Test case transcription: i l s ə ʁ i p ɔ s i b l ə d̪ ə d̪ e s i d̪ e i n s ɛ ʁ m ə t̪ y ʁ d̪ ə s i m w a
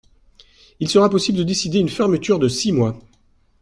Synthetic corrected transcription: i l s ə ʁ a p ɔ s i b l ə d̪ ə d̪ e s i d̪ e y n f ɛ ʁ m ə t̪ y ʁ d̪ ə s i m w a